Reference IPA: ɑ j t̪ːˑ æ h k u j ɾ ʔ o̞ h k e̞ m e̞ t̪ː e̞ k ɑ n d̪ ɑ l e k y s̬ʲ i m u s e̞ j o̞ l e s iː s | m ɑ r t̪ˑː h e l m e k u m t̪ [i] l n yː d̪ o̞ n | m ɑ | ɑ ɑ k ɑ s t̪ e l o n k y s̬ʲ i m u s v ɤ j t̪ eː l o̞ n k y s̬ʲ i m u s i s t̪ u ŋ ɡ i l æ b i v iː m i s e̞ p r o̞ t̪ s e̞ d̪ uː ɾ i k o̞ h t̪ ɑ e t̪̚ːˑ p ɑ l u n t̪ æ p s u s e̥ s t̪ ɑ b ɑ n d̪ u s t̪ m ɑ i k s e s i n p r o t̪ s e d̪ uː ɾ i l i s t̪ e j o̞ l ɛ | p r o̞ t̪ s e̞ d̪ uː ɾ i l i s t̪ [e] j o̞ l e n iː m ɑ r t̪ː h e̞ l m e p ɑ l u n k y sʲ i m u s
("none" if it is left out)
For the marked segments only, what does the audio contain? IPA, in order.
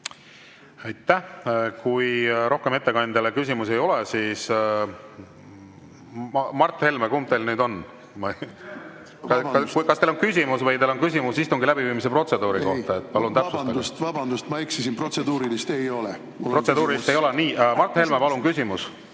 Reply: e, e

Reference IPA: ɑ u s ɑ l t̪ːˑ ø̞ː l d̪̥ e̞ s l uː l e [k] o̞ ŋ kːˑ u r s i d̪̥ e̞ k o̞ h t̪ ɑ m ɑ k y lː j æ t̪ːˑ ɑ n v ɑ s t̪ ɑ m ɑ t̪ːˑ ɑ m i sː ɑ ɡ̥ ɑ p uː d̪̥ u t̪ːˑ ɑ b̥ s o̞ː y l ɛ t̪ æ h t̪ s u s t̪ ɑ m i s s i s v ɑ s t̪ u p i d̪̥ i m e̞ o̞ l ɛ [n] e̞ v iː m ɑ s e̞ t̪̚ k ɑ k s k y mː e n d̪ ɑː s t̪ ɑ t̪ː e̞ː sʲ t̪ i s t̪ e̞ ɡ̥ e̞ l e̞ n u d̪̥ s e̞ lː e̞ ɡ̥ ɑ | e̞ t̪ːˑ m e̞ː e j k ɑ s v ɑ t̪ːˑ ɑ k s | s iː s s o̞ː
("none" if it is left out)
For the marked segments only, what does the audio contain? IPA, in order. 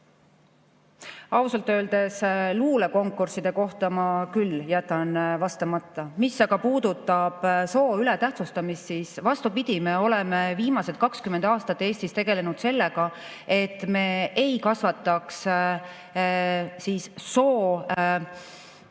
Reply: k, m

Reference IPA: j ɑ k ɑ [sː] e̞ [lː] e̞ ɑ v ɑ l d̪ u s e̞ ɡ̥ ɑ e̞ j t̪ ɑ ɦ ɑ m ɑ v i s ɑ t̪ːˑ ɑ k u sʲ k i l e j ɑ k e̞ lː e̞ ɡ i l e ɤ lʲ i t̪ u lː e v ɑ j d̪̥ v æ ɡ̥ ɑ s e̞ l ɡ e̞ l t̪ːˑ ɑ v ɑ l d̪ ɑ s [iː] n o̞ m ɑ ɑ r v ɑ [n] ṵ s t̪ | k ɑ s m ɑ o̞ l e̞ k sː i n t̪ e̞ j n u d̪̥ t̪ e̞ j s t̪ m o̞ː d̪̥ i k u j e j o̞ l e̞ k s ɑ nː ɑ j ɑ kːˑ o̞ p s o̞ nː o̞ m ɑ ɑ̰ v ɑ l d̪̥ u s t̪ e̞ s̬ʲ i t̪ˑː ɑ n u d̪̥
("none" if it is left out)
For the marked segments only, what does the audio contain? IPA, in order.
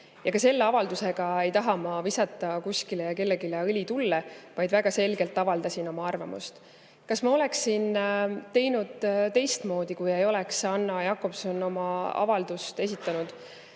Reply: s, lː, i, m

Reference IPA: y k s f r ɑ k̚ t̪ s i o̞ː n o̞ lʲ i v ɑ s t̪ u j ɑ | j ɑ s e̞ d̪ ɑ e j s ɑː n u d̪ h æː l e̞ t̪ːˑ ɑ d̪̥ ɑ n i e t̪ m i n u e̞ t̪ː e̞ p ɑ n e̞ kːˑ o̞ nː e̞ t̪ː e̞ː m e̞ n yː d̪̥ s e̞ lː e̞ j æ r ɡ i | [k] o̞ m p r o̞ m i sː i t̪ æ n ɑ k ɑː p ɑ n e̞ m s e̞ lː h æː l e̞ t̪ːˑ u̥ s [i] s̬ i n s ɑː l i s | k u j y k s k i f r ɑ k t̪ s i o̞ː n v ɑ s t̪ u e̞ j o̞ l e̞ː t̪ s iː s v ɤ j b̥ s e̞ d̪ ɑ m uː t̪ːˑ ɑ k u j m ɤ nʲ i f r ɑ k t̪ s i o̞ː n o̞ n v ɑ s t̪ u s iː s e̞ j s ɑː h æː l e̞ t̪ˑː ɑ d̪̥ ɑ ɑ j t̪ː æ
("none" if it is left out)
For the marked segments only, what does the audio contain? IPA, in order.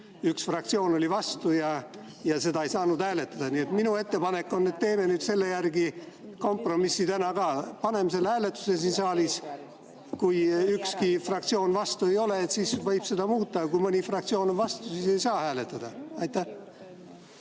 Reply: k, e

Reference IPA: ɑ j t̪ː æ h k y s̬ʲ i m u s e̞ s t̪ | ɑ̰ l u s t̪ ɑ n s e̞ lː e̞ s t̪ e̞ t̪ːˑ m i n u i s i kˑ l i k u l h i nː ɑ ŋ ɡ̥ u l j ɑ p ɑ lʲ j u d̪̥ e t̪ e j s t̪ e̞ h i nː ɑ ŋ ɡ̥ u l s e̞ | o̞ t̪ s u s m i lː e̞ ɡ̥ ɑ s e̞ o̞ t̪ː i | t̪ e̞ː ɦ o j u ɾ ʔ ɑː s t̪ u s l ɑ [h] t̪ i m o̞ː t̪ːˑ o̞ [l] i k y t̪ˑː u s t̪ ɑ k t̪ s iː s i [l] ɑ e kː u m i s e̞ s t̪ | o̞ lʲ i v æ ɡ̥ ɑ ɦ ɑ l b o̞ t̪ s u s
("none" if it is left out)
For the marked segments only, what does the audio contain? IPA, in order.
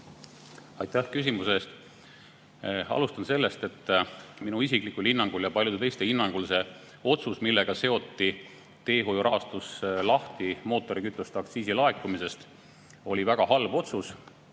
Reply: h, ɾ, l

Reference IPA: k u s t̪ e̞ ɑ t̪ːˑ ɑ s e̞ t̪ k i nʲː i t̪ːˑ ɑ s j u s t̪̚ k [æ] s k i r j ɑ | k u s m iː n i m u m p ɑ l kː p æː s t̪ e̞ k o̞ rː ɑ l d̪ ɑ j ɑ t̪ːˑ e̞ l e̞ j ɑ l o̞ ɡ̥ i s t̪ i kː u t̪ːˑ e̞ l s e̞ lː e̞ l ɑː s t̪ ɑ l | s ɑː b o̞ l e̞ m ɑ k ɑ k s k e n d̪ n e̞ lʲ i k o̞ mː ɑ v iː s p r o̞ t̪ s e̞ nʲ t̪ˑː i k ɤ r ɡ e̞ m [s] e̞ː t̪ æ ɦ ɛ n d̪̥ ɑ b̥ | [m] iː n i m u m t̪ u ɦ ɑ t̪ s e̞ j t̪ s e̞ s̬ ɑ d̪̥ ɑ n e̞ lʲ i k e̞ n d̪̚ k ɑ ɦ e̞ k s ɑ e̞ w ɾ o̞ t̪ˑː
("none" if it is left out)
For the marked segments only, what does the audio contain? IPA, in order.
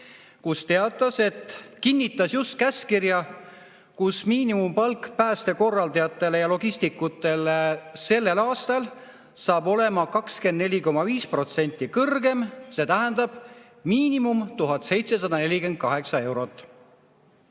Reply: æ, s, m

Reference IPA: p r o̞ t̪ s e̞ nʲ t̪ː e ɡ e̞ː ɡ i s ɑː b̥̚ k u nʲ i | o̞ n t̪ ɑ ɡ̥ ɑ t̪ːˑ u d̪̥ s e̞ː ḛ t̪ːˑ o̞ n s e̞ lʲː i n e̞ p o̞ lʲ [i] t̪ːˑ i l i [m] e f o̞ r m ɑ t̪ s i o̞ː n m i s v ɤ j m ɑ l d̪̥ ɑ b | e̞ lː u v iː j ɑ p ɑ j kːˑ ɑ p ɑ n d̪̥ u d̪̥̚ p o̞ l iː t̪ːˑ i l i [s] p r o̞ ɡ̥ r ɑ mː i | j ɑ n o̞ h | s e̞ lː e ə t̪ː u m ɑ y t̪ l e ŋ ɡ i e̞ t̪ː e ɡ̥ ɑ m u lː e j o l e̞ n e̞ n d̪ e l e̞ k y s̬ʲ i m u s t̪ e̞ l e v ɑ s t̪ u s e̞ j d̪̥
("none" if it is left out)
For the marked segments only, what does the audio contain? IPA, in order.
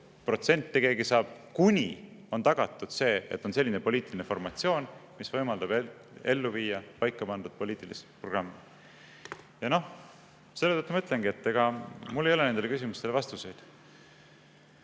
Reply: iː, n, s

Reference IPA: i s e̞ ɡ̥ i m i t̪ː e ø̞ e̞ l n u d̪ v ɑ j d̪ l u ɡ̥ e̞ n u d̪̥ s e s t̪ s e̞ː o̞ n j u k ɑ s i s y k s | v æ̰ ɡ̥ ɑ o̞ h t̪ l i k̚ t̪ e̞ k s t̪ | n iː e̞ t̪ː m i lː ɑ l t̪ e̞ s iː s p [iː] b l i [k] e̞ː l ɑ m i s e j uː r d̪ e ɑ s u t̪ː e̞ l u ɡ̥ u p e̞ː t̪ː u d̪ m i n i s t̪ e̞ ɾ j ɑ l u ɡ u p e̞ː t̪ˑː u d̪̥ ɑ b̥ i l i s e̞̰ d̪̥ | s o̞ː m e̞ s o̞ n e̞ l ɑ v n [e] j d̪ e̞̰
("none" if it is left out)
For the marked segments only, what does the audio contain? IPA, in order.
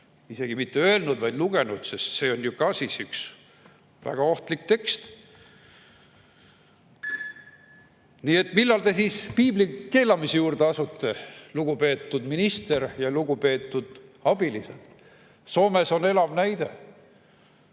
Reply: iː, k, æ

